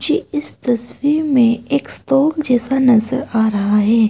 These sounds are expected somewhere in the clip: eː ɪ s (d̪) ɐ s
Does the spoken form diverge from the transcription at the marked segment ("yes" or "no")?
yes